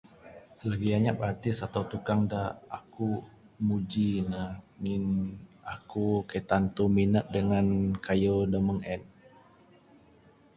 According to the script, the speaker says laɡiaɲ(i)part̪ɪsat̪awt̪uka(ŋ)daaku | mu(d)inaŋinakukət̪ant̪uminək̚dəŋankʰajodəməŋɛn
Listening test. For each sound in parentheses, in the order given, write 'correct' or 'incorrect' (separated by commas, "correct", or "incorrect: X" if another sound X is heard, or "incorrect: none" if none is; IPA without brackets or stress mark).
incorrect: a, correct, incorrect: d͡ʒ